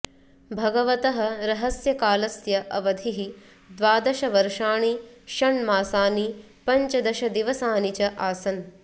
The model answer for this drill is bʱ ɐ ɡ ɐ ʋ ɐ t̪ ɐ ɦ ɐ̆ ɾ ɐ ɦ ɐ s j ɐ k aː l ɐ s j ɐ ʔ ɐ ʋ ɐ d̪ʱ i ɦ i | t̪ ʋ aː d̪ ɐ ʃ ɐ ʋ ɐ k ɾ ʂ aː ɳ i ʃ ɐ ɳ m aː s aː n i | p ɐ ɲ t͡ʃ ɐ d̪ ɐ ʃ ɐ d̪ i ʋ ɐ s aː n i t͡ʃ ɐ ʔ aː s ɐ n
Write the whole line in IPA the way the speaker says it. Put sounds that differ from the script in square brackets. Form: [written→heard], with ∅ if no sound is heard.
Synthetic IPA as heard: bʱ ɐ ɡ ɐ ʋ ɐ t̪ ɐ ɦ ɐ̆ ɾ ɐ ɦ ɐ s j ɐ k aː l ɐ s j ɐ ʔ ɐ ʋ ɐ d̪ʱ i ɦ i | [t̪→d̪] ʋ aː d̪ ɐ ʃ ɐ ʋ ɐ [k→∅] ɾ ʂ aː ɳ i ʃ ɐ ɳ m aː s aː n i | p ɐ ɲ t͡ʃ ɐ d̪ ɐ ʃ ɐ d̪ i ʋ ɐ s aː n i t͡ʃ ɐ ʔ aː s ɐ n